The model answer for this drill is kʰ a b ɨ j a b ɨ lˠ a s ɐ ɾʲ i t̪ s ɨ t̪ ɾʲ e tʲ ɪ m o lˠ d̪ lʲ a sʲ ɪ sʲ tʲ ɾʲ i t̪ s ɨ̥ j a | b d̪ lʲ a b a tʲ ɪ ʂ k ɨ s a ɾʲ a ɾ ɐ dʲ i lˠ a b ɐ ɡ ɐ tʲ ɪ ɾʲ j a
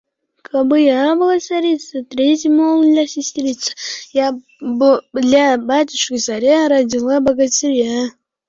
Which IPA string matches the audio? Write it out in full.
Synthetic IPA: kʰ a b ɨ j a b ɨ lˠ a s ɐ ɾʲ i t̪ s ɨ t̪ ɾʲ e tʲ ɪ m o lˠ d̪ lʲ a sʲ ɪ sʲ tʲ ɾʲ i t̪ s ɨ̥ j a | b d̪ lʲ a b a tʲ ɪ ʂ k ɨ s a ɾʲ a ɾ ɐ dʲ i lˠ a b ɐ ɡ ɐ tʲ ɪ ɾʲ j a